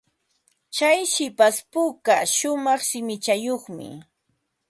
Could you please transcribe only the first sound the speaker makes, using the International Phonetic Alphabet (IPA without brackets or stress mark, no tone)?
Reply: t͡ʃ